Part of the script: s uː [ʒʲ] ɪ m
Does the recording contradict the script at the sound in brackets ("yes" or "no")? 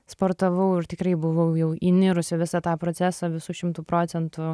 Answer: yes